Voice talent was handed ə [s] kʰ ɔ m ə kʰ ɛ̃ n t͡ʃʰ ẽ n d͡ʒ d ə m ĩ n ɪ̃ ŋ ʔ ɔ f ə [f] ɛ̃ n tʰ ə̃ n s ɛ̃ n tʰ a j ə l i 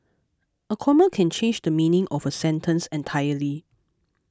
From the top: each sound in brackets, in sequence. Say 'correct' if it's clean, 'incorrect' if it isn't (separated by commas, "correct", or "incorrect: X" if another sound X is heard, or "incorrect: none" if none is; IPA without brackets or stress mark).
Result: incorrect: none, incorrect: s